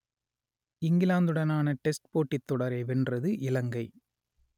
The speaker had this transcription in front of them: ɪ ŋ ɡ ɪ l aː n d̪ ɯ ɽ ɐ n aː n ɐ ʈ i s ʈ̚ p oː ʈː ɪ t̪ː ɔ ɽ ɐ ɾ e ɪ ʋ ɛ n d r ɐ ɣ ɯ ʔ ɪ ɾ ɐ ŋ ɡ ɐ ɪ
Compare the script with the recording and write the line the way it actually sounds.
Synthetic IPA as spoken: ɪ ŋ ɡ ɪ l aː n d̪ ɯ ɽ ɐ n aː n ɐ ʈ ɛ s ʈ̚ p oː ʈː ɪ t̪ː ɔ ɽ ɐ ɾ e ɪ ʋ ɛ n d r ɐ ð ɯ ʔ ɪ l ɐ ŋ ɡ ɐ ɪ